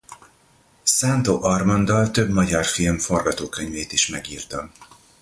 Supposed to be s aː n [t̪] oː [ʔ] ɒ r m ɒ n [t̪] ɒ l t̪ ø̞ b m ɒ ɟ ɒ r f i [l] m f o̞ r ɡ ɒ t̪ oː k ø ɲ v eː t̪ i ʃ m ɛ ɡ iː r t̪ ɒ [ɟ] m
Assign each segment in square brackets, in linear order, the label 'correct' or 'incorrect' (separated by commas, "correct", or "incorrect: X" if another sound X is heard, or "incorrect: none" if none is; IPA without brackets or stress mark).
correct, correct, incorrect: d̪, correct, incorrect: none